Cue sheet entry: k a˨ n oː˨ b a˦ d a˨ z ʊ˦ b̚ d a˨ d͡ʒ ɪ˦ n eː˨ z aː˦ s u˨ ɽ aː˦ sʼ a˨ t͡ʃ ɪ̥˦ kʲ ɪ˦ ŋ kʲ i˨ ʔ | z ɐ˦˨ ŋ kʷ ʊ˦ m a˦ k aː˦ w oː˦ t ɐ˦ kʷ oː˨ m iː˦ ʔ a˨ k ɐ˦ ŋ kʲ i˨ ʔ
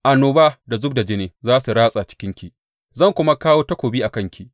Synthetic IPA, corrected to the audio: ʔ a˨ n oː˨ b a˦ d a˨ z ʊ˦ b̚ d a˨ d͡ʒ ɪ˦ n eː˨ z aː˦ s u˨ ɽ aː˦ sʼ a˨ t͡ʃ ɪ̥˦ kʲ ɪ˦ ŋ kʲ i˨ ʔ | z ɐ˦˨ ŋ kʷ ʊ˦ m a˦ k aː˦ w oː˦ t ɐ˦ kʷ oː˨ b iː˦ ʔ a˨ k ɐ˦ ŋ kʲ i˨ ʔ